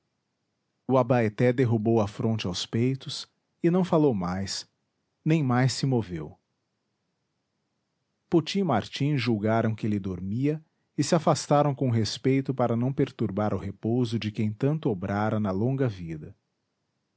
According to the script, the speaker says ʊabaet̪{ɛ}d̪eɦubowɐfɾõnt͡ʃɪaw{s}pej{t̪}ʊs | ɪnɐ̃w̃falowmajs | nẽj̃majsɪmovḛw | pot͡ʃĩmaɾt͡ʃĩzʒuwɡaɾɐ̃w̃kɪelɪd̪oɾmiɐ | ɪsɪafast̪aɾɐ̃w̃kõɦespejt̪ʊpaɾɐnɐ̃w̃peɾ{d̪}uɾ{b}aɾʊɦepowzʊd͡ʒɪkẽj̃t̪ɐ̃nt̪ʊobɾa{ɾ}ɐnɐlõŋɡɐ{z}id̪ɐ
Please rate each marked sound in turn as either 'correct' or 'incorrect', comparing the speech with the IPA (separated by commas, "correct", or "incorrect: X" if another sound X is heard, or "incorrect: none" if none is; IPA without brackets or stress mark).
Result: correct, correct, correct, incorrect: t̪, correct, correct, incorrect: v